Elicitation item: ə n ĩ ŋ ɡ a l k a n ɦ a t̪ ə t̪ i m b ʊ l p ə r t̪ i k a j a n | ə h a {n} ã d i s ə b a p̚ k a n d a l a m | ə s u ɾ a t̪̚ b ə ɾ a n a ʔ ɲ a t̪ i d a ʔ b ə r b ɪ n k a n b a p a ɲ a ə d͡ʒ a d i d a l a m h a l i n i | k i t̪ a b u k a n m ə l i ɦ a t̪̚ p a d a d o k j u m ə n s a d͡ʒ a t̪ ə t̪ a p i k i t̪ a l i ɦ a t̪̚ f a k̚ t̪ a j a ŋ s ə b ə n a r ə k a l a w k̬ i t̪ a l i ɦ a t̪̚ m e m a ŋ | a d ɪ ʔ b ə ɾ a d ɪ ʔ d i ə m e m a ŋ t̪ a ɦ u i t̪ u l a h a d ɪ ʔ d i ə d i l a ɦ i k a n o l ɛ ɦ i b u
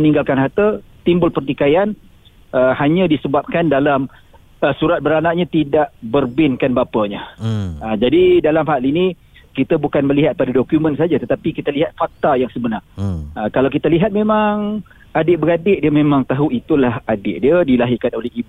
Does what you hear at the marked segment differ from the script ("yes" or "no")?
yes